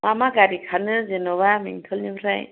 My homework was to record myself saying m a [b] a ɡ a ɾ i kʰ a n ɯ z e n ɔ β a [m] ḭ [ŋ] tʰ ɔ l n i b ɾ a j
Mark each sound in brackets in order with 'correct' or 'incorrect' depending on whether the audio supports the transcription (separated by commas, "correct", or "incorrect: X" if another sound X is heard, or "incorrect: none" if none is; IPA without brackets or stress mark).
incorrect: m, correct, correct